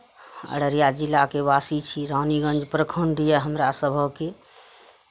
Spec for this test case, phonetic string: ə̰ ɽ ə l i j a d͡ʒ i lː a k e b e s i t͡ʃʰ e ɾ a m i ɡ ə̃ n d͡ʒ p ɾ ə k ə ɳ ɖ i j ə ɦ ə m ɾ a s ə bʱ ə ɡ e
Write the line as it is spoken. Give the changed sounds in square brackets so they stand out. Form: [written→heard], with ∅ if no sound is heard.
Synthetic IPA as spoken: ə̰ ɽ ə [l→ɾ] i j a d͡ʒ i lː a k e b [e→a] s i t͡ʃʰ [e→i] ɾ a [m→n] i ɡ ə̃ n d͡ʒ p ɾ ə [k→kʰ] ə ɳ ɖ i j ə ɦ ə m ɾ a s ə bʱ ə [ɡ→k] e